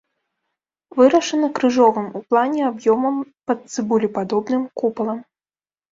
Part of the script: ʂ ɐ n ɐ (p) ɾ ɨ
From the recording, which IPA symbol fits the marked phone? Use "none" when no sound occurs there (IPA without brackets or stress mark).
k